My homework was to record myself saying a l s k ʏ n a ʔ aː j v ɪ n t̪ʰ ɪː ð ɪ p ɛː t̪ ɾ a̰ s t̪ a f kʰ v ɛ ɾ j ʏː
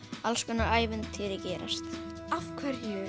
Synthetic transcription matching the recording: a l s k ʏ n a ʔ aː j v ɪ n t̪ʰ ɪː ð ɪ c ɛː ɾ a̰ s t̪ a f kʰ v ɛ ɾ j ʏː